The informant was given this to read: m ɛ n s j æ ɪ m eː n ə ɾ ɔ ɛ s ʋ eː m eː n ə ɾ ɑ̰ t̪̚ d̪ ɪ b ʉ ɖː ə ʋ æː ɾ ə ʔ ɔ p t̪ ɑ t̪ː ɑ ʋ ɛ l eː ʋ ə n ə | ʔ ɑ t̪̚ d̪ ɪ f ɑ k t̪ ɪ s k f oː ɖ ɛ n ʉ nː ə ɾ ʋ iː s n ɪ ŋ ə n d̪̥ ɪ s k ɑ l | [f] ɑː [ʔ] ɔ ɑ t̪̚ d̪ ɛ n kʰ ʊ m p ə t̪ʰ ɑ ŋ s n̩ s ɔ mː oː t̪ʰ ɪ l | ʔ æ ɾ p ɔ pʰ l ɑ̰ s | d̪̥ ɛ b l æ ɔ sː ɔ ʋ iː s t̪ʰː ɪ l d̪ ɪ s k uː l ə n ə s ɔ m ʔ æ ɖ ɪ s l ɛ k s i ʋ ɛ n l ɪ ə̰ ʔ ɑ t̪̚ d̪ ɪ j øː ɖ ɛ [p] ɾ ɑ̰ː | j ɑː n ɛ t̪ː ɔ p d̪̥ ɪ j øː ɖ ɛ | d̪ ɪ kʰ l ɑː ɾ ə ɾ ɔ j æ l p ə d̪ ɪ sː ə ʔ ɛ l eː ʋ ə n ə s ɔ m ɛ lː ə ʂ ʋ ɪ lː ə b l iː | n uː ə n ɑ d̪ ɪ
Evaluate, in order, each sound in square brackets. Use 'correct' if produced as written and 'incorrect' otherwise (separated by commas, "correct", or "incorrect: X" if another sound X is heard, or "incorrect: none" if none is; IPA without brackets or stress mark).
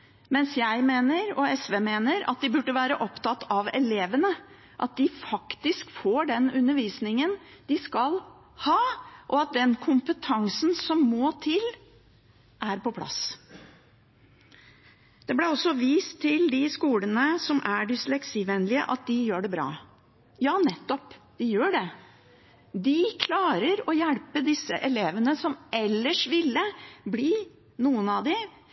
incorrect: h, correct, incorrect: b